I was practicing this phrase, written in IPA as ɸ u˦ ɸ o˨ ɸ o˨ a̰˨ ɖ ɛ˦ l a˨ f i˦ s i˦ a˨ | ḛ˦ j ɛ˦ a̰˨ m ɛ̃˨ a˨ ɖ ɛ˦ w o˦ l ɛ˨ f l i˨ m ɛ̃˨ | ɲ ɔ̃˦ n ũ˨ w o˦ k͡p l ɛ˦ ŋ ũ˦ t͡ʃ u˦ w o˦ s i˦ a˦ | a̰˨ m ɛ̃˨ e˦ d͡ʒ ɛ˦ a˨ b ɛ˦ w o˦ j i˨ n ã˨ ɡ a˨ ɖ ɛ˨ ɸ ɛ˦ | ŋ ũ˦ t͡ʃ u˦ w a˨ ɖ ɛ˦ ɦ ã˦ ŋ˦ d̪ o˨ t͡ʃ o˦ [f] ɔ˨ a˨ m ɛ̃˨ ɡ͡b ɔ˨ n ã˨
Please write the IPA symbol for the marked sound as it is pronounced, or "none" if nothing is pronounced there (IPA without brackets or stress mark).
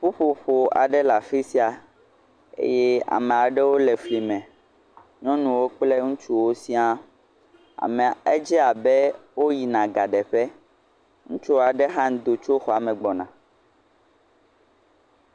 x